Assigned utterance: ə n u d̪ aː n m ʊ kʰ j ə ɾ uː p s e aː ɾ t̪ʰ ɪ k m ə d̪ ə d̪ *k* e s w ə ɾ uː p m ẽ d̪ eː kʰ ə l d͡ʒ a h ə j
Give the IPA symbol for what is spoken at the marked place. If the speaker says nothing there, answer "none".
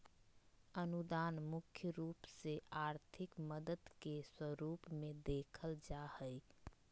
k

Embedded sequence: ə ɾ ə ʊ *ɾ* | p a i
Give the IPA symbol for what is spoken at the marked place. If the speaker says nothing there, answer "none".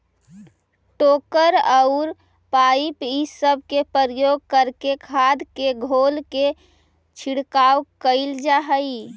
ɾ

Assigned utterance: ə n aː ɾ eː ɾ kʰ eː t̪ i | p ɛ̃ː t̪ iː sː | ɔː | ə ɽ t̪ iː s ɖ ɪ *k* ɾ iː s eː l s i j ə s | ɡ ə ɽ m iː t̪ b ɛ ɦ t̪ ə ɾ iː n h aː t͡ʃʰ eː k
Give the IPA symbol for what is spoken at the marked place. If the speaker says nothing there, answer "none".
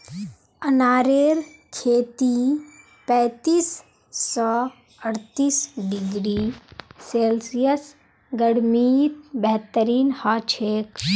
ɡ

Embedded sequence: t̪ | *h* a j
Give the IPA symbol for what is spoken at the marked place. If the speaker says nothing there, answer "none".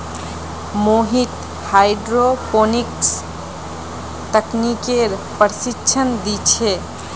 h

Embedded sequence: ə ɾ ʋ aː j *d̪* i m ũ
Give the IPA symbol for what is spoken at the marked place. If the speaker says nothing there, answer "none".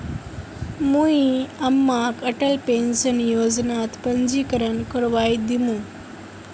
d̪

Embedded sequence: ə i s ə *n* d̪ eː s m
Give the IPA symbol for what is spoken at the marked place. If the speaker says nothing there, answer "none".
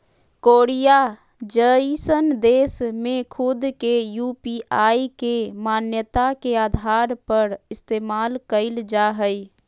n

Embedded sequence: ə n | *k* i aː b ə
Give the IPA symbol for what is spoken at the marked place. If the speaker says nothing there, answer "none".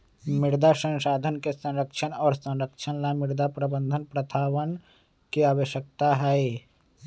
k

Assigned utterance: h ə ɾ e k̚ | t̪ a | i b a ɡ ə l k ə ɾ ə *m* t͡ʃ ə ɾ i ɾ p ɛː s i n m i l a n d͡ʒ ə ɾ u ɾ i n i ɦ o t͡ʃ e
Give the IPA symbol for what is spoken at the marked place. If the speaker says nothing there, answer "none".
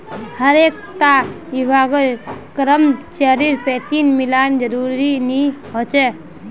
m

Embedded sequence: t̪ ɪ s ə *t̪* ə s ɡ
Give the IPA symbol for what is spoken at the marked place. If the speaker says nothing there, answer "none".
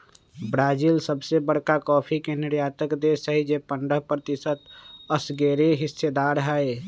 t̪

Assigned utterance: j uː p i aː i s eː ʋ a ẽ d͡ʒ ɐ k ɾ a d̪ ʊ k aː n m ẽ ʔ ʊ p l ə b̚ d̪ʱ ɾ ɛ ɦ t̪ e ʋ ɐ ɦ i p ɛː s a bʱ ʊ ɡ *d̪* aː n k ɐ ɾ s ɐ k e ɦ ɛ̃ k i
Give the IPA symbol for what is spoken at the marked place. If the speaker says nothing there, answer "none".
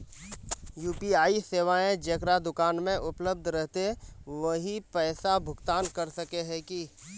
t̪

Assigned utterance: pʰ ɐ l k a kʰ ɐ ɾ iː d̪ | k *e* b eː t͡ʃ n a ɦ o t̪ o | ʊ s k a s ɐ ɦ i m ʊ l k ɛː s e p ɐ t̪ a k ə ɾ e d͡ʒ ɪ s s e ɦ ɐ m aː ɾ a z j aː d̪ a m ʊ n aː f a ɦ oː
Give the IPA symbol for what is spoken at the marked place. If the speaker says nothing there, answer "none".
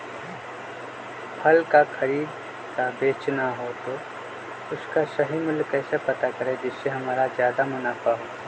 a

